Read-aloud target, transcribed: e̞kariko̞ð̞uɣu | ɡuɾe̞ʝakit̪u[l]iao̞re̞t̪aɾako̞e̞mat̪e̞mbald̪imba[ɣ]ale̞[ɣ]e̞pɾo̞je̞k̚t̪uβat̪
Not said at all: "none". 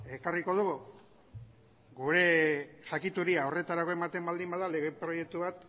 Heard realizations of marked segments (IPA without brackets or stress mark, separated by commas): ɾ, ð, ɣ